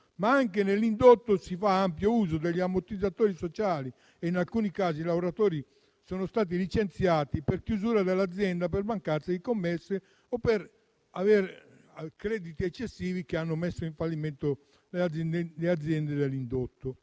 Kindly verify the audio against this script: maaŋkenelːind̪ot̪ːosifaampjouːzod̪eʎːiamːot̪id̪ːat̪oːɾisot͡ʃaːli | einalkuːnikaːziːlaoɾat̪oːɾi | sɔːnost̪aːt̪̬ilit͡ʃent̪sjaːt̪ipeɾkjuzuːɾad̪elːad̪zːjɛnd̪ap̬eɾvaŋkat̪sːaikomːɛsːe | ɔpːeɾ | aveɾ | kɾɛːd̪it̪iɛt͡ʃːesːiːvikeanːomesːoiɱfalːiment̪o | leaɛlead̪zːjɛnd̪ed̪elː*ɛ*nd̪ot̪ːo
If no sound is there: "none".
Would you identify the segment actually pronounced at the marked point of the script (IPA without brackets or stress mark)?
i